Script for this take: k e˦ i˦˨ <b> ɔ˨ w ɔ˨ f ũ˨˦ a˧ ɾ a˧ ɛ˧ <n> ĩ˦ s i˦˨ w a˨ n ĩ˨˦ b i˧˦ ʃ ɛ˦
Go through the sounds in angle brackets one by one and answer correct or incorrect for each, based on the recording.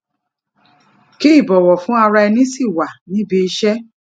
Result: correct, correct

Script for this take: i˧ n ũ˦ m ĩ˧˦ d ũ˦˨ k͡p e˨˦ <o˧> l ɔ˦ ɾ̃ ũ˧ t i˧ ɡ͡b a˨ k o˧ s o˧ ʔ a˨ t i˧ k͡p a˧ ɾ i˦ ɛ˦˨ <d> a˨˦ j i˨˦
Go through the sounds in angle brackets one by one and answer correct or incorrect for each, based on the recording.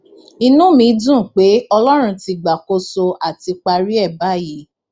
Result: incorrect: ɔ˧, incorrect: b

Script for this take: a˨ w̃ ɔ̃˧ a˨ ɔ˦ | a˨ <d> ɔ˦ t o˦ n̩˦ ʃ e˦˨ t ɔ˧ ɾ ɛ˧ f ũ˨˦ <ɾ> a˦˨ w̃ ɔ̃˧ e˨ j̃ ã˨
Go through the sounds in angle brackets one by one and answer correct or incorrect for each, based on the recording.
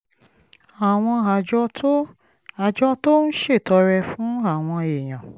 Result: incorrect: d͡ʒ, incorrect: none

